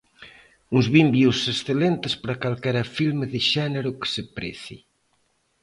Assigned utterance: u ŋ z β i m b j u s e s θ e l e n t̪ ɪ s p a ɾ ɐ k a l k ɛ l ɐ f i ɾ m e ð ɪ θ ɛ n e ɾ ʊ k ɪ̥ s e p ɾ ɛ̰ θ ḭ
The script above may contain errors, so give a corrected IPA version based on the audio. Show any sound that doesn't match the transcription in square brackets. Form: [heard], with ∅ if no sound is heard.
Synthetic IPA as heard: u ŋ z β i m b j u s e s θ e l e n t̪ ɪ s p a ɾ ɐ k a l k ɛ [ɾ] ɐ f i [l] m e ð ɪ [ʃ] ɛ n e ɾ ʊ k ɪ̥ s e p ɾ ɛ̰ θ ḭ